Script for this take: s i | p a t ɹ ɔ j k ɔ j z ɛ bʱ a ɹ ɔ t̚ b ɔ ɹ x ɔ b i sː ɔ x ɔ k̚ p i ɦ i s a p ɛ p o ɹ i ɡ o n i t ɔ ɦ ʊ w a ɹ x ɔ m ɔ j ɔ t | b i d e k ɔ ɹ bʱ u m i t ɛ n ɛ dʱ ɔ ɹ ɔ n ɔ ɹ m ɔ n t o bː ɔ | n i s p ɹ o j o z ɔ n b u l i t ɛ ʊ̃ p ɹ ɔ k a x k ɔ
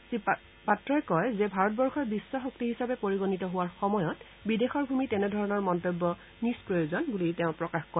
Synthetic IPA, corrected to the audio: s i | p a t ɹ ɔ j k ɔ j z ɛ bʱ a ɹ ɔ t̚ b ɔ ɹ x ɔ b i sː ɔ x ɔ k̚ t i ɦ i s a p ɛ p o ɹ i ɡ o n i t ɔ ɦ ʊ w a ɹ x ɔ m ɔ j ɔ t | b i d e x ɔ ɹ bʱ u m i t ɛ n ɛ dʱ ɔ ɹ ɔ n ɔ ɹ m ɔ n t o bː ɔ | n i s p ɹ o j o z ɔ n b u l i t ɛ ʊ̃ p ɹ ɔ k a x k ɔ